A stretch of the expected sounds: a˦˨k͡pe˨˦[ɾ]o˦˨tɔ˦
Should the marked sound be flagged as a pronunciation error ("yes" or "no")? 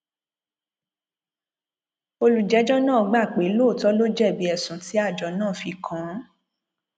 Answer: yes